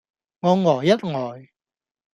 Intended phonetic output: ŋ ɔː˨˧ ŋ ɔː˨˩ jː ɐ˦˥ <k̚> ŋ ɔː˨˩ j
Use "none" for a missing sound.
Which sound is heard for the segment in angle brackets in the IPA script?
t̚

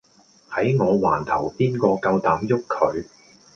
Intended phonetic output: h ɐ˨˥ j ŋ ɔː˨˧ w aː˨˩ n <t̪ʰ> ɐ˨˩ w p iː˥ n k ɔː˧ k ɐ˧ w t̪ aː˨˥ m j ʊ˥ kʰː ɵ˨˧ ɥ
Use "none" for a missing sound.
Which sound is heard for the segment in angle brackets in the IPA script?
t̪ʰ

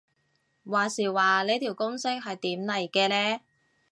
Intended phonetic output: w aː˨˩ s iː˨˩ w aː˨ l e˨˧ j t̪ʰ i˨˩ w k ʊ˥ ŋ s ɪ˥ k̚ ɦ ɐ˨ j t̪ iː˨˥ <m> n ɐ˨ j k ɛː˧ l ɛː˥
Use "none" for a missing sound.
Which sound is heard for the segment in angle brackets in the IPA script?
m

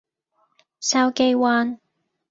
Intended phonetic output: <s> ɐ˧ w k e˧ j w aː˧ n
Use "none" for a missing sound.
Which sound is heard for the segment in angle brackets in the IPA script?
s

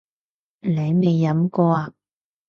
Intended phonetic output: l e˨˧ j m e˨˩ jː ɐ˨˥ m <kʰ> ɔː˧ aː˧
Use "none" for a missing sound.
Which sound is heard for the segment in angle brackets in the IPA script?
k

